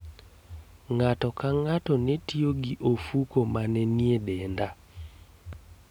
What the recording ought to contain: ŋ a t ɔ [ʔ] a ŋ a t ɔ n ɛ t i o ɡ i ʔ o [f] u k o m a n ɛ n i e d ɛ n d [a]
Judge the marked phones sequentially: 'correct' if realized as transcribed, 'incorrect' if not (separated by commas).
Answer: incorrect, correct, correct